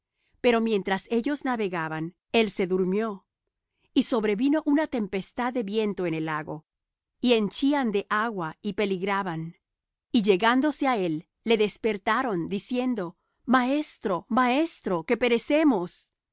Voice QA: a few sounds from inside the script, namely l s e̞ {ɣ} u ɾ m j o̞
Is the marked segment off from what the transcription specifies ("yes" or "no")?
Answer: yes